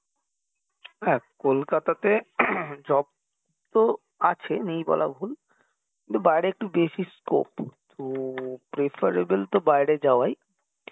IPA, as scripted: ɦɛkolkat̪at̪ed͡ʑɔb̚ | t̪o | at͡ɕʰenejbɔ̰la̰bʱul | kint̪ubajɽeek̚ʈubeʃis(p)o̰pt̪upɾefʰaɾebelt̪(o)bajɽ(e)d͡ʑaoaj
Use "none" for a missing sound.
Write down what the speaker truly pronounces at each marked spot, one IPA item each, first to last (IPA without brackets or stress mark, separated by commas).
k, o, e